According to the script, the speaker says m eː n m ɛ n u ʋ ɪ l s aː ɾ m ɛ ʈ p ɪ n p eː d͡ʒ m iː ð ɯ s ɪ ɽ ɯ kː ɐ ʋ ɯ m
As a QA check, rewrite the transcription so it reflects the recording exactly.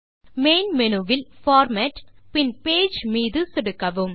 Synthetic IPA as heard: m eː n m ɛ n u ʋ ɪ l f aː ɾ m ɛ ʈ p ɪ n p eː d͡ʒ m iː ð ɯ s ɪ ɽ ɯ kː ɐ ʋ ɯ m